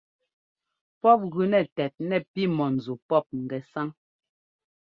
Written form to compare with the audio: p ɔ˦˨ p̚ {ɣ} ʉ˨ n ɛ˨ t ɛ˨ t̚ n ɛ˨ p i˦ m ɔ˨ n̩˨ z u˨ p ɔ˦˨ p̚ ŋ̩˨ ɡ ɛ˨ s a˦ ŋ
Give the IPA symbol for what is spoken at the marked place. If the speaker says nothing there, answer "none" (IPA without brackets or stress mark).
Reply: ɣ